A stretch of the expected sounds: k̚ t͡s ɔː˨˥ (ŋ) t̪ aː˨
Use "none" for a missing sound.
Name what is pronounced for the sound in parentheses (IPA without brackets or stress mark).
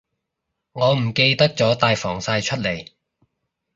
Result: none